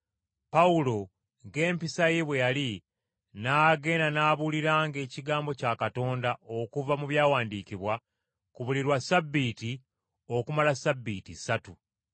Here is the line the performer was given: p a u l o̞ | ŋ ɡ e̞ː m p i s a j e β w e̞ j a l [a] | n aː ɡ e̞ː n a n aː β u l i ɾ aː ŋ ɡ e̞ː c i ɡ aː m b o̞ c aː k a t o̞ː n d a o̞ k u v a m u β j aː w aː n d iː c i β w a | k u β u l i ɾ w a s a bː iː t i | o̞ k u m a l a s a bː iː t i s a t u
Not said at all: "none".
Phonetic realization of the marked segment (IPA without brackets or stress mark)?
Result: i